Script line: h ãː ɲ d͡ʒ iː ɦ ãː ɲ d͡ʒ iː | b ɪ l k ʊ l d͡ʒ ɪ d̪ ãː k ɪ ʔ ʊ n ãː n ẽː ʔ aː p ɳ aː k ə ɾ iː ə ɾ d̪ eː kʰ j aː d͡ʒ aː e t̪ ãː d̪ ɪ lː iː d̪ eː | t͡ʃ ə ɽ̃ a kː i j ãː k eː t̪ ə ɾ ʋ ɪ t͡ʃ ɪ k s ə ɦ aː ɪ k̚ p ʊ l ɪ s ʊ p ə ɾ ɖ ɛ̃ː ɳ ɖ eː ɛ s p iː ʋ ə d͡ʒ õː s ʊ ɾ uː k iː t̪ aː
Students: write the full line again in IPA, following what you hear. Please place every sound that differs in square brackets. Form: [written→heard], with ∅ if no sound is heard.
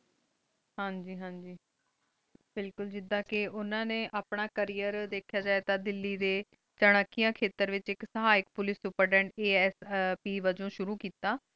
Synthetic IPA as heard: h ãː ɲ d͡ʒ iː ɦ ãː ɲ d͡ʒ iː | b ɪ l k ʊ l d͡ʒ ɪ d̪ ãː k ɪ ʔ ʊ n ãː n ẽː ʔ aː p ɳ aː k ə ɾ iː ə ɾ d̪ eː kʰ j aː d͡ʒ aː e t̪ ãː d̪ ɪ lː iː d̪ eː | t͡ʃ ə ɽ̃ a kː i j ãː [k→kʰ] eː t̪ ə ɾ ʋ ɪ t͡ʃ ɪ k s ə ɦ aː ɪ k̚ p ʊ l ɪ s ʊ p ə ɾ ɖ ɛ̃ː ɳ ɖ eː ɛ s p iː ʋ ə d͡ʒ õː [s→ʃ] ʊ ɾ uː k iː t̪ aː